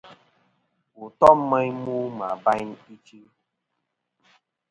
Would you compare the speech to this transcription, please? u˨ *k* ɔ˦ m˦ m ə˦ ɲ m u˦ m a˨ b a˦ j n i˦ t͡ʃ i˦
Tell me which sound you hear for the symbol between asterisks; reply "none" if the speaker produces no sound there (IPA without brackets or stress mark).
t